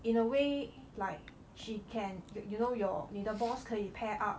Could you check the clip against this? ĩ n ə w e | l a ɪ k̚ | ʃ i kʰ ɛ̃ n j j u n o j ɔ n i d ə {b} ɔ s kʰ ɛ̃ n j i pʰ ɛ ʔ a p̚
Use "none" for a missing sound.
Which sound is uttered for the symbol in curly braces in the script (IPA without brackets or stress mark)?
b